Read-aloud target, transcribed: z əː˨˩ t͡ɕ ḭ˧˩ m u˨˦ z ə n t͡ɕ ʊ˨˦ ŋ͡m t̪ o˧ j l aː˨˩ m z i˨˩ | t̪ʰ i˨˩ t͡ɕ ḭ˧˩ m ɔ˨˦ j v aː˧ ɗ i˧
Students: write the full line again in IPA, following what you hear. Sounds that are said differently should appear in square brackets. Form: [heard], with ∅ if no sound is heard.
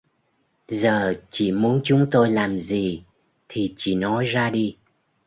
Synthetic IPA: z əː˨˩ t͡ɕ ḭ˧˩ m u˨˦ [∅] ə n t͡ɕ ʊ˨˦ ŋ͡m t̪ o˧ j l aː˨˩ m z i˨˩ | t̪ʰ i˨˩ t͡ɕ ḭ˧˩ [n] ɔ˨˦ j [z] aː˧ ɗ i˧